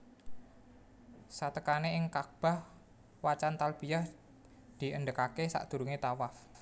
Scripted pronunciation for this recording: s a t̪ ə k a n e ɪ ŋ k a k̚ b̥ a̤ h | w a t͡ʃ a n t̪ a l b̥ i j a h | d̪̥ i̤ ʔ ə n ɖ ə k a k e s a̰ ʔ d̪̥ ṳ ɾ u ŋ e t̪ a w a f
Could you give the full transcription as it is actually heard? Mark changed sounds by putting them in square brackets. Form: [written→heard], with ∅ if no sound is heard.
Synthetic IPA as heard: s a t̪ ə k a n e ɪ ŋ k a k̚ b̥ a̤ h | w a t͡ʃ a n t̪ a l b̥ i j a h | d̪̥ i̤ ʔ ə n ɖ ə k a k e s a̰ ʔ d̪̥ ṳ ɾ u ŋ e t̪ a w a f